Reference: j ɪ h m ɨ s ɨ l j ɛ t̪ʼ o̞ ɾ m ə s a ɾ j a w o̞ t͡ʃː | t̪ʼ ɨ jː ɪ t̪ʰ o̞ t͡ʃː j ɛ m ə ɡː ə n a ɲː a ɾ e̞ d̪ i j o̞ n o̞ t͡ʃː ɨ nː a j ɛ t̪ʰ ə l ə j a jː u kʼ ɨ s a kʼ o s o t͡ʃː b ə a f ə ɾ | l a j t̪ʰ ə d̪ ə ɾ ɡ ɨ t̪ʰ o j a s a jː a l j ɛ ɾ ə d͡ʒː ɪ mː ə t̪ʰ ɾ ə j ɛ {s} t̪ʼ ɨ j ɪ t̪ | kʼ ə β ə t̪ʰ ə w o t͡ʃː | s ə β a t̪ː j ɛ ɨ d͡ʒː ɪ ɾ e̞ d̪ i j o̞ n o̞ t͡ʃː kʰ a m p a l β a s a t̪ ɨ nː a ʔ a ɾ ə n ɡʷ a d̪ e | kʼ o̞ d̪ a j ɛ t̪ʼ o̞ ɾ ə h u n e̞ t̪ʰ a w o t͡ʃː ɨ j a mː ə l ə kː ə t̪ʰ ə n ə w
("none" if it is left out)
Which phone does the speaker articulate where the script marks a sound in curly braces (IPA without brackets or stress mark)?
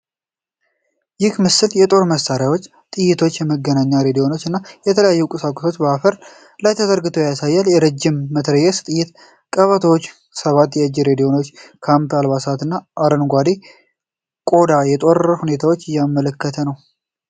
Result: s